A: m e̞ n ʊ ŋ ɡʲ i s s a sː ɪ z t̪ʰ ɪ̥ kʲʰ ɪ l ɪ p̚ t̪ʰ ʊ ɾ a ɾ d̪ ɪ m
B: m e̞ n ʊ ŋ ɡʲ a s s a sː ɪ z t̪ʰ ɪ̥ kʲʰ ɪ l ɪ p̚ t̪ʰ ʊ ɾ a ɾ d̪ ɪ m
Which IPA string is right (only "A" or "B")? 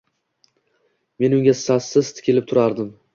B